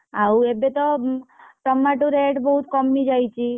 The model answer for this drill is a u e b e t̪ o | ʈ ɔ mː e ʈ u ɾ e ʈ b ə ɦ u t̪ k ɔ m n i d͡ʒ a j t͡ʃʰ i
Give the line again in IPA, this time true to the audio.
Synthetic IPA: a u e b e t̪ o | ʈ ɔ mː a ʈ u ɾ e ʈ b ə ɦ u t̪ k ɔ m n i d͡ʒ a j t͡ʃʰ i